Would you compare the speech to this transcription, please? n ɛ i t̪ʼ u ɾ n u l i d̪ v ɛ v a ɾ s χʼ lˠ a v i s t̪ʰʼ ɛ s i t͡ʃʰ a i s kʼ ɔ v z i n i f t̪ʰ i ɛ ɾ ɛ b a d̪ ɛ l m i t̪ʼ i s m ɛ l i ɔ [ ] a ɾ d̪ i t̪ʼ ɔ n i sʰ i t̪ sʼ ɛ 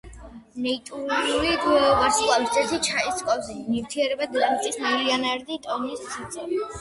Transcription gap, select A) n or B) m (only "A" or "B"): A